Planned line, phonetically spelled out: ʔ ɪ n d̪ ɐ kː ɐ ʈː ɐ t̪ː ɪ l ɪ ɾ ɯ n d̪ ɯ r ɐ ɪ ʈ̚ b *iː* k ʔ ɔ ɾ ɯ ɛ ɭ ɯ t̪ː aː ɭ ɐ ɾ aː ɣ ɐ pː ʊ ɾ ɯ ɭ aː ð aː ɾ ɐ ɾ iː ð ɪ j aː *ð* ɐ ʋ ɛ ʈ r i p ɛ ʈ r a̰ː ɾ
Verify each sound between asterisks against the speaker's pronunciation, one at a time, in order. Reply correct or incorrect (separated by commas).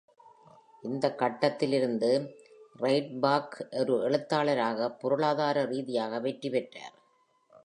incorrect, incorrect